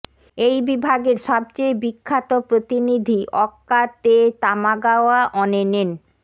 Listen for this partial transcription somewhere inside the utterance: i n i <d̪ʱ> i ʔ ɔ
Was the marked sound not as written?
no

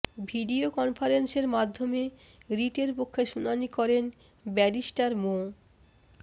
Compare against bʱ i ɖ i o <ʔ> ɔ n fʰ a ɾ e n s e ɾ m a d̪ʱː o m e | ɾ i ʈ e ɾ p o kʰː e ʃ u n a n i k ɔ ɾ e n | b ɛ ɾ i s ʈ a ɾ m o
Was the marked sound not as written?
yes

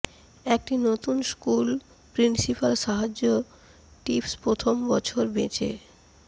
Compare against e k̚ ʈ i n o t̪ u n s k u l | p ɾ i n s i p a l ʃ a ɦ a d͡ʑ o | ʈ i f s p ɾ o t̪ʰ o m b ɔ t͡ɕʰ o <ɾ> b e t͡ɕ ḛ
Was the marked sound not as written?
no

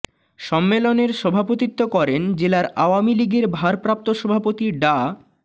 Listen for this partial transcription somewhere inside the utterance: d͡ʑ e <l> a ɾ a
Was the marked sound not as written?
no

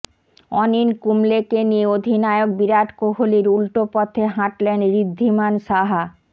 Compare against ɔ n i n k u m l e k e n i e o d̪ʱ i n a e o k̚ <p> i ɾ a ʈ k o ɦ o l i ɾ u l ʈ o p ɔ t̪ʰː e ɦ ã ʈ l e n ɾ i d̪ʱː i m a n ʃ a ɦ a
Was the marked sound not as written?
yes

